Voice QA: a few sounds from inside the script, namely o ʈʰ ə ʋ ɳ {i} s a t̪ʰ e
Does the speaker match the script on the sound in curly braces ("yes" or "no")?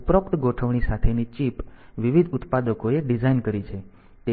yes